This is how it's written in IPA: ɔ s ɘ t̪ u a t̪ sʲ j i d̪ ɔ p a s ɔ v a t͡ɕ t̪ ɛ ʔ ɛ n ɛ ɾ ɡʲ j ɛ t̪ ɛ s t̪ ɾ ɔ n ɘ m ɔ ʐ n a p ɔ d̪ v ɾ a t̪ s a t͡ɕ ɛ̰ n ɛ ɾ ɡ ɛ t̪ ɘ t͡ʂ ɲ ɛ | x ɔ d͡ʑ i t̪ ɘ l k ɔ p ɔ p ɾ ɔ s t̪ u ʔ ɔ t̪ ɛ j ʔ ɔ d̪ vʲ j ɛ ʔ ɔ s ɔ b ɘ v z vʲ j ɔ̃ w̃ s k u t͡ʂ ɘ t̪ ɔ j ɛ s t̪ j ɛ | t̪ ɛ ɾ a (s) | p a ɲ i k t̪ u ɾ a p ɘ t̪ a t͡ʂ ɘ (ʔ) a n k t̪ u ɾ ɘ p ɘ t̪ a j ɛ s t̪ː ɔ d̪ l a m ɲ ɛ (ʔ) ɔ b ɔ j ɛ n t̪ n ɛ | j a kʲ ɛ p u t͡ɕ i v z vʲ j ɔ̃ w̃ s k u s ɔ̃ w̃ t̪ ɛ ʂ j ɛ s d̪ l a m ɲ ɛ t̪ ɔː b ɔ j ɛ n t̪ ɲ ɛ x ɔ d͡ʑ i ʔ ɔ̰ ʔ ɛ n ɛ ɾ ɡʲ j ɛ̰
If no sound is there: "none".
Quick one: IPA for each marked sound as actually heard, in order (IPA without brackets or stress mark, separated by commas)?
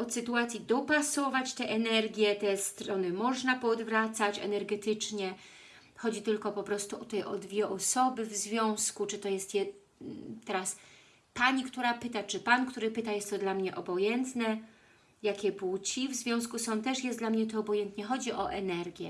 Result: s, p, ʔ